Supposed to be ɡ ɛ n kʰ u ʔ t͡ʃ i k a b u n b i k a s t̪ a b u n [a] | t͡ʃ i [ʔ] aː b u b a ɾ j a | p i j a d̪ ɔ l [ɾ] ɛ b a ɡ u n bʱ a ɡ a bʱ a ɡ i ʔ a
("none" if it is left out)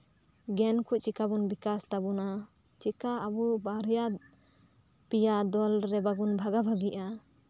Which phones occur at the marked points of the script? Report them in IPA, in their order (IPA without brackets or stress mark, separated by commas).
a, k, ɾ